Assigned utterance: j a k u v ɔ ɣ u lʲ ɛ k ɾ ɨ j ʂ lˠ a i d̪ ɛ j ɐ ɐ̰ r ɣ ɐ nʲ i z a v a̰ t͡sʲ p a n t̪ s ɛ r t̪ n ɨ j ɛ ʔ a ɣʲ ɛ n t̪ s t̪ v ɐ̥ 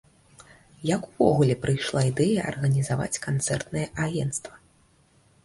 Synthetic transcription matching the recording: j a k u v ɔ ɣ u lʲ ɛ p ɾ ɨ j ʂ lˠ a i d̪ ɛ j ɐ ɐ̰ r ɣ ɐ nʲ i z a v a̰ t͡sʲ k a n t̪ s ɛ r t̪ n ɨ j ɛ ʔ a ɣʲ ɛ n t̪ s t̪ v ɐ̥